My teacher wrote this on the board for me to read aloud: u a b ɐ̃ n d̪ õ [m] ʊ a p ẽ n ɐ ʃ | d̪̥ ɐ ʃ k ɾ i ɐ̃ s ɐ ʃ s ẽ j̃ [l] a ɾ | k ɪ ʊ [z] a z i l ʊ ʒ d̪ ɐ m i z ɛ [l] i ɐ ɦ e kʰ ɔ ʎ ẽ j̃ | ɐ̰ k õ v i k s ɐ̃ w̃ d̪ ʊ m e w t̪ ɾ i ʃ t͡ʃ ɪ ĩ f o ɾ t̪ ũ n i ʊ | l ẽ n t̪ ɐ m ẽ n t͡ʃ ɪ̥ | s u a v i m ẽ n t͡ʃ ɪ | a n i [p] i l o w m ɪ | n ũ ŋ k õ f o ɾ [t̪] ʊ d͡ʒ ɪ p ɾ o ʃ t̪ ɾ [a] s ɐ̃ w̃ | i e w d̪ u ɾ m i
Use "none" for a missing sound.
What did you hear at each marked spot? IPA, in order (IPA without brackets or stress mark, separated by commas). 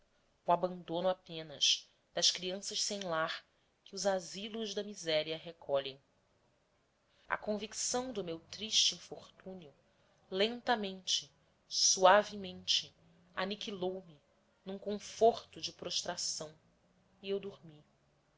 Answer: n, l, z, ɾ, k, t̪, a